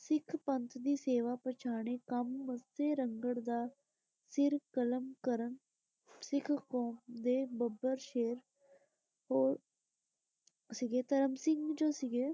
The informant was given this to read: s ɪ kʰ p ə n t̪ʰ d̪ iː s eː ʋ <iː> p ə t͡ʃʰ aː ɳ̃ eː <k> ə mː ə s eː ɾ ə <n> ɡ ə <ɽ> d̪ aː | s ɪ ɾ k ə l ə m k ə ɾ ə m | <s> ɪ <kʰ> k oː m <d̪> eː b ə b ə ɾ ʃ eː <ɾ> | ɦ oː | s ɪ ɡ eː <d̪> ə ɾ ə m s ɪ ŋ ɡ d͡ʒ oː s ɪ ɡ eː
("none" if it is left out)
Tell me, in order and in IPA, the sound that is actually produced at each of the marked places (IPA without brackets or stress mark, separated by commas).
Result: aː, k, ŋ, ɽ, s, kʰ, d̪, ɾ, t̪